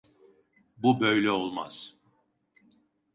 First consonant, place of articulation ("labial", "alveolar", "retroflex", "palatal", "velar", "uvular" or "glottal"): labial